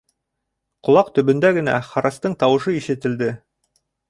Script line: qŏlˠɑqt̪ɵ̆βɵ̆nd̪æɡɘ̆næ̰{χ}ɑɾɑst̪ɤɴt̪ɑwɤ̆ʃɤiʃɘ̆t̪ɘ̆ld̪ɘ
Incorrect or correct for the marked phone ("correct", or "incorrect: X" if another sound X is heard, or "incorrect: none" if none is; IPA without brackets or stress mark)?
correct